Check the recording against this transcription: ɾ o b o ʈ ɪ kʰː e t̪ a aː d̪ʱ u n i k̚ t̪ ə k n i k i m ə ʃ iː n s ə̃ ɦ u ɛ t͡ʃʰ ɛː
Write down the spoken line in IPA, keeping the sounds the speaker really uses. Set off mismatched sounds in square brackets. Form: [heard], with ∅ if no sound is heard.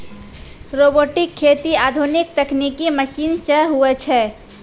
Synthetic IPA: ɾ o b o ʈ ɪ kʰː e t̪ [i] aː d̪ʱ u n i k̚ t̪ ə k n i k i m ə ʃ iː n s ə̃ ɦ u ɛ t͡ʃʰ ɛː